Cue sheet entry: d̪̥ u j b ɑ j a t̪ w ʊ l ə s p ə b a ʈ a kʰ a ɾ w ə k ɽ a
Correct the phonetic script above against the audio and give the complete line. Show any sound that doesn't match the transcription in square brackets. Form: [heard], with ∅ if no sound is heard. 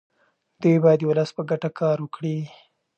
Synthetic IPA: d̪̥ u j b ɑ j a [d̪] w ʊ l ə s p ə [ɡ] a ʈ a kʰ [ɑ] ɾ w ə k ɽ [i]